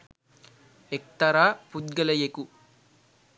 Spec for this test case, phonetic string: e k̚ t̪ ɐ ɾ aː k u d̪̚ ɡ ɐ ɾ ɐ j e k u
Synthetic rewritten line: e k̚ t̪ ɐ ɾ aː p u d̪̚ ɡ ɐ l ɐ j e k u